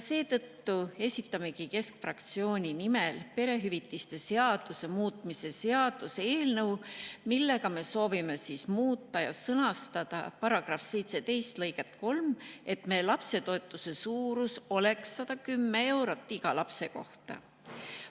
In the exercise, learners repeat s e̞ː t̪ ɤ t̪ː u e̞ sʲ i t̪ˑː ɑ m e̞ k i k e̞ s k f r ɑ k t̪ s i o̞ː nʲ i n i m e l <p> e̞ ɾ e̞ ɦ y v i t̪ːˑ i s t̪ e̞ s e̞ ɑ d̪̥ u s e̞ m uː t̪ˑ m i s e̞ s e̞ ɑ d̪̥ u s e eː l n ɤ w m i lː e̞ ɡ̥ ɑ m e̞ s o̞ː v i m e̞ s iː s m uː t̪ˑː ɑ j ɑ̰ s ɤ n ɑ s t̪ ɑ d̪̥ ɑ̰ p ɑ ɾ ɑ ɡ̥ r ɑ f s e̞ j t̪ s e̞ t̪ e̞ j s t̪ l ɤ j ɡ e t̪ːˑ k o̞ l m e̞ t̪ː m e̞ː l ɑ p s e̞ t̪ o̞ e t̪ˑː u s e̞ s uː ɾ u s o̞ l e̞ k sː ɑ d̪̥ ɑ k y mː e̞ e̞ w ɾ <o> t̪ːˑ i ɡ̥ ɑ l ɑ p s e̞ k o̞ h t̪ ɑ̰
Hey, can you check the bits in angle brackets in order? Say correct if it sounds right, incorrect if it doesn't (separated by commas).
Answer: correct, correct